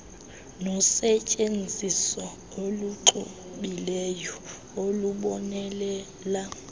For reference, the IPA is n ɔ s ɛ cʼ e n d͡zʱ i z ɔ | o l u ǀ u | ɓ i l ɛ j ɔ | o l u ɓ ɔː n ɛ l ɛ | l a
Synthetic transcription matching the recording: n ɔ s ɛ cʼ e n d͡zʱ i s ɔ | o l u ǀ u | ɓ i l ɛ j ɔ | o l u ɓ ɔ n ɛ l ɛ | l a